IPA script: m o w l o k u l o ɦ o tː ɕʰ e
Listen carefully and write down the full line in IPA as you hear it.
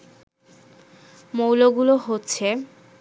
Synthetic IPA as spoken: m o w l o ɡ u l o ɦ o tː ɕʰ e